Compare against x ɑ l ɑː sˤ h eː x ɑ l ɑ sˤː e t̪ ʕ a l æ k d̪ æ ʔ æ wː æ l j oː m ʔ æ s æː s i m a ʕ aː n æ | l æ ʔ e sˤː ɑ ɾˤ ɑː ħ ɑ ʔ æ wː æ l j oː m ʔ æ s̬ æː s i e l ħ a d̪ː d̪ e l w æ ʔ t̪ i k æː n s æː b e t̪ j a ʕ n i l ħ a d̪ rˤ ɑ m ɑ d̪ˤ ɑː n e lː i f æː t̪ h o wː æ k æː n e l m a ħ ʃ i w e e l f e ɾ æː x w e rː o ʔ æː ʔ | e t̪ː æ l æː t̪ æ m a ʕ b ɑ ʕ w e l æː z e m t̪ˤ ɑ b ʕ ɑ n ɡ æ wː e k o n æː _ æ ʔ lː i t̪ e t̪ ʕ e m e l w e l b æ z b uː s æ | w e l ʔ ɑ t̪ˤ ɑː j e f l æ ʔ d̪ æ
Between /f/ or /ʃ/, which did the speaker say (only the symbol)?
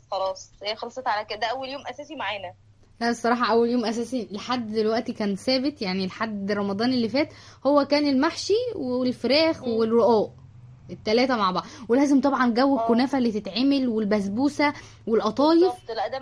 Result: f